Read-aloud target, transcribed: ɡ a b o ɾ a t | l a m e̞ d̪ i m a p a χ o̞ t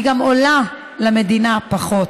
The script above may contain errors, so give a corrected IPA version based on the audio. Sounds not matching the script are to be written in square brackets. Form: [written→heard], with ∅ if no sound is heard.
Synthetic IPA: ɡ a [b→m] o [ɾ→l] a [t→∅] | l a m e̞ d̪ i [m→n] a p a χ o̞ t